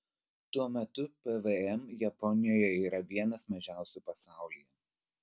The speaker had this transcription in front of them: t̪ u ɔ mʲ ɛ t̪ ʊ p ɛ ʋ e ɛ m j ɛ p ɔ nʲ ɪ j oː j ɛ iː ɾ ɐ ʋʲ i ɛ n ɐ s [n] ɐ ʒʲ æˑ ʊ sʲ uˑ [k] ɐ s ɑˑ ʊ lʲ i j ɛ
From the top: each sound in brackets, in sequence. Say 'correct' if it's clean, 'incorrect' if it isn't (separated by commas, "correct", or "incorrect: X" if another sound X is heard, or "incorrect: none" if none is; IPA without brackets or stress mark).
incorrect: m, incorrect: p